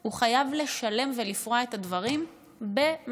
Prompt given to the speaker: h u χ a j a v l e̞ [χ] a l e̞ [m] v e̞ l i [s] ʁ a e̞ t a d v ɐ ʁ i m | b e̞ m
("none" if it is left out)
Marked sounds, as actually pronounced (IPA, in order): ʃ, m, f

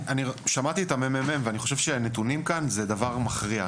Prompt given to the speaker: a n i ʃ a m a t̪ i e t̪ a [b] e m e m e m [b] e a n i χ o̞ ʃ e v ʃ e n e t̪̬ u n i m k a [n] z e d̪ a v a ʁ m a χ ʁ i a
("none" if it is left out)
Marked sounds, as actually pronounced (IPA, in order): m, v, n

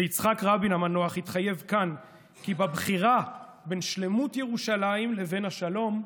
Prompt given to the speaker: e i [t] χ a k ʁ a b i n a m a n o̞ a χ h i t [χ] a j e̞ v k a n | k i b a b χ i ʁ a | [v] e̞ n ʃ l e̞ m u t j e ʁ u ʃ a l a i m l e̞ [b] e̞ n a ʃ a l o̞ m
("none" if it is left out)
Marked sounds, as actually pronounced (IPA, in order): t͡s, χ, b, v

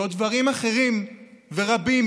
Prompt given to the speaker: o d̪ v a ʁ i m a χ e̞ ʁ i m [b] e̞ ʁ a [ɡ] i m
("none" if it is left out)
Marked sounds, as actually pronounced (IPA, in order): v, b

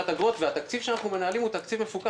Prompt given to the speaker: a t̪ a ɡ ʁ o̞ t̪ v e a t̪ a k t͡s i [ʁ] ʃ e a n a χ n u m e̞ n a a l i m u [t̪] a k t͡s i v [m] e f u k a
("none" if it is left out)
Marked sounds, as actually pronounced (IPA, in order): v, t̪, m

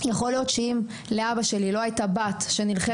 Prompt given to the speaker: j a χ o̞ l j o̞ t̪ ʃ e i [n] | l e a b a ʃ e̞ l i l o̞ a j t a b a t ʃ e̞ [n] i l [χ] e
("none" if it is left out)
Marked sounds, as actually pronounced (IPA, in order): m, n, χ

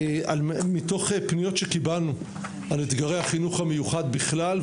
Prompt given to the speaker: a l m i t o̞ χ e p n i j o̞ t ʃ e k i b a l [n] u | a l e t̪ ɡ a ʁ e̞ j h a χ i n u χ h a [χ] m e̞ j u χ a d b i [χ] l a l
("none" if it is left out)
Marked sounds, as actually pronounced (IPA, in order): n, none, χ

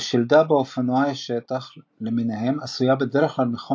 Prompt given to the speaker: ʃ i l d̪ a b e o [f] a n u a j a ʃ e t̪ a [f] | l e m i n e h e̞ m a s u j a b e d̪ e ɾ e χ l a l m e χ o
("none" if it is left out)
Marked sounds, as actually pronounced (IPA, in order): f, χ

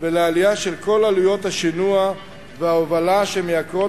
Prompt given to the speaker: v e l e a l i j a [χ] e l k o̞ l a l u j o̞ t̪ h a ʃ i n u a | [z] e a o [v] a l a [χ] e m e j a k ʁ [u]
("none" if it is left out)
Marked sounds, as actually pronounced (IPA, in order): ʃ, v, v, ʃ, o

